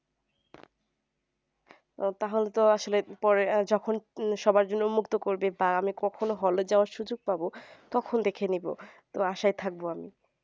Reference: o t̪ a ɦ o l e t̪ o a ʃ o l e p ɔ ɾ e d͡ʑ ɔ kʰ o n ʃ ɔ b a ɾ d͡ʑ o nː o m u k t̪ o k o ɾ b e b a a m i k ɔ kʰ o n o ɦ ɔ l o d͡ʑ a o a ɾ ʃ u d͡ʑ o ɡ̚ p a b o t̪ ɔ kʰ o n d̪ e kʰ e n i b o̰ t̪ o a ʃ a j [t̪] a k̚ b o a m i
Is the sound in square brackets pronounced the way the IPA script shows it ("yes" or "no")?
no